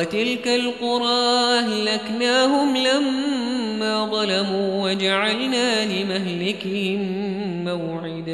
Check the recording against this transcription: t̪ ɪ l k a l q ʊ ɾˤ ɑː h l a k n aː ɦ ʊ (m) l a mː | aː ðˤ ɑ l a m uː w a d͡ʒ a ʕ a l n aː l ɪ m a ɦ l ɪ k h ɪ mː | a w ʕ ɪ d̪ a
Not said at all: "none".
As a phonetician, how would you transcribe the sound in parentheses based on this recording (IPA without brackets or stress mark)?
m